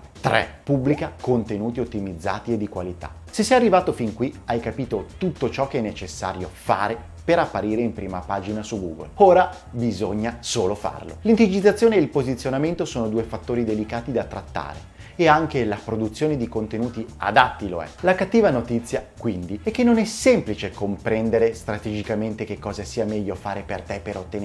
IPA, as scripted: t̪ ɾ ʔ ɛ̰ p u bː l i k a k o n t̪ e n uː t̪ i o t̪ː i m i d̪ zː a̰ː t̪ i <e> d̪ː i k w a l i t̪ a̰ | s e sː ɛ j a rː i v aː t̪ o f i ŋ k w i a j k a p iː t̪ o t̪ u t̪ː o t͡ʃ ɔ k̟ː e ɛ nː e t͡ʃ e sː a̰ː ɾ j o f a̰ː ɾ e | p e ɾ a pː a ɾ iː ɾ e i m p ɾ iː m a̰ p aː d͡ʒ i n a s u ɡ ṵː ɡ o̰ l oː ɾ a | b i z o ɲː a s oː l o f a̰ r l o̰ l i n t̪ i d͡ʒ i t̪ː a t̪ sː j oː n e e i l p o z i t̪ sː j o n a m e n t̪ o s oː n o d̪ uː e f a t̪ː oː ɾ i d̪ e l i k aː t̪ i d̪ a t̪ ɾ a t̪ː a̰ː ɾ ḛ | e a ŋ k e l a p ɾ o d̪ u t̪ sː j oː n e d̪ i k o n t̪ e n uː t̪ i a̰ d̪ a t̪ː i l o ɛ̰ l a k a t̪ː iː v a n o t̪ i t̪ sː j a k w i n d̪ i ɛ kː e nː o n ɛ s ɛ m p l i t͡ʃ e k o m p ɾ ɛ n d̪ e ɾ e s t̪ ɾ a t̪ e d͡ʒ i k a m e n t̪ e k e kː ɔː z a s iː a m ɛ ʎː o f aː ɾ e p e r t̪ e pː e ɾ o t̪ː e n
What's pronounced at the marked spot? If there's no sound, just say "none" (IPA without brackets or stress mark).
e